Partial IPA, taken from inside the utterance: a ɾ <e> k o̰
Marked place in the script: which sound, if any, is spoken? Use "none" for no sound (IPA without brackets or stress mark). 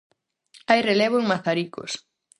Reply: i